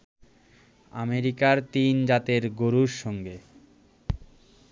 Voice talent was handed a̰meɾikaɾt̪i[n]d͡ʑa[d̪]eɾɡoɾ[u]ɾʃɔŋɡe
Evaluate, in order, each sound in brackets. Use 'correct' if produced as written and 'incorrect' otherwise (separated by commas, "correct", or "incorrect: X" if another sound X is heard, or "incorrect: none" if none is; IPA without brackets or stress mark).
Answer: correct, incorrect: t̪, correct